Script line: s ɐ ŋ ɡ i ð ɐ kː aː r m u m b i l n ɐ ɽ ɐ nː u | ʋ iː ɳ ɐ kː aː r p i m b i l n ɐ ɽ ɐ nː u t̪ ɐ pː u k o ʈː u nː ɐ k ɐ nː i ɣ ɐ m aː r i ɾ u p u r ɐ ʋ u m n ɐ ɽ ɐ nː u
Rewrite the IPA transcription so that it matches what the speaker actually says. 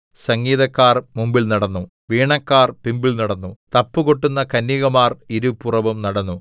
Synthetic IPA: s ɐ ŋ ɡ iː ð ɐ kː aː r m u m b i l n ɐ ɽ ɐ nː u | ʋ iː ɳ ɐ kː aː r p i m b i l n ɐ ɽ ɐ nː u t̪ ɐ pː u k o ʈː u nː ɐ k ɐ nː i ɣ ɐ m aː r i ɾ u p u r ɐ ʋ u m n ɐ ɽ ɐ nː u